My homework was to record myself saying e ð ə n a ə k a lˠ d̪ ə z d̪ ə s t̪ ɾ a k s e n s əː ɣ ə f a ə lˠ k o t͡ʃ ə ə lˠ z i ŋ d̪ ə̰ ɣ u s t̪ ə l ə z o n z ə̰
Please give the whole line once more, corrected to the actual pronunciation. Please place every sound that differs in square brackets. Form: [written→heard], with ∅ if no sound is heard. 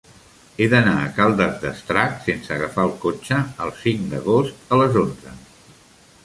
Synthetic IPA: e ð ə n a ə k a lˠ d̪ ə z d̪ ə s t̪ ɾ a k s e n s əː ɣ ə f a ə lˠ k o t͡ʃ ə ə lˠ [z→s] i ŋ d̪ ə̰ ɣ [u→o] s t̪ ə l ə z o n z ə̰